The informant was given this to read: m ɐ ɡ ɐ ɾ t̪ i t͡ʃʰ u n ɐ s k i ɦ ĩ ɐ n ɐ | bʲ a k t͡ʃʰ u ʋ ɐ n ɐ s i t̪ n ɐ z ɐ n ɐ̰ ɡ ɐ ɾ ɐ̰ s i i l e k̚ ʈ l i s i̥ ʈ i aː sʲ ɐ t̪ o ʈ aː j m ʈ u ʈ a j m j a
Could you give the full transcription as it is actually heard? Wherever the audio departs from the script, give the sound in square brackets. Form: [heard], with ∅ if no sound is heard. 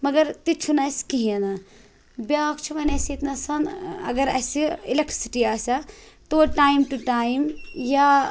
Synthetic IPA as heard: m ɐ ɡ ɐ ɾ t̪ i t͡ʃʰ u n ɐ s k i ɦ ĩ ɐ n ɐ | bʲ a k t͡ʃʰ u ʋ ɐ n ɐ s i t̪ n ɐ [s] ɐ n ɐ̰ ɡ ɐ ɾ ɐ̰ s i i l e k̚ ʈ [ɾ] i s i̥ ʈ i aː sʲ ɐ t̪ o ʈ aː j m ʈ u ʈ a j m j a